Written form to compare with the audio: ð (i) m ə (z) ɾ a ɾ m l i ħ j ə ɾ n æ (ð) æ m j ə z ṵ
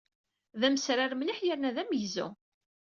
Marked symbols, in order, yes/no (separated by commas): no, no, yes